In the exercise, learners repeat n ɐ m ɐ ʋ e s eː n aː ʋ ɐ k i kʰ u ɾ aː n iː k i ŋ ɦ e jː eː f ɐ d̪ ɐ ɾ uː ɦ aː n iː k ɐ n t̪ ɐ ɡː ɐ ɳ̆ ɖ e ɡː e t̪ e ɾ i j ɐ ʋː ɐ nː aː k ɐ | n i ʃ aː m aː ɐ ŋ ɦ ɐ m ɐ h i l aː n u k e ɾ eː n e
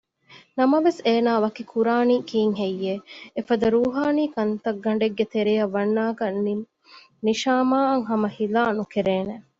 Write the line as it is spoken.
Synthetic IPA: n ɐ m ɐ ʋ e s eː n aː ʋ ɐ k i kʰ u ɾ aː n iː k iː ŋ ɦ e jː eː f ɐ d̪ ɐ ɾ uː ɦ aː n iː k ɐ n t̪ ɐ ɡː ɐ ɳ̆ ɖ e ɡː e t̪ e ɾ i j ɐ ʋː ɐ nː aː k ɐ | n i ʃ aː m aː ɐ ŋ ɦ ɐ m ɐ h i l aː n u k e ɾ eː n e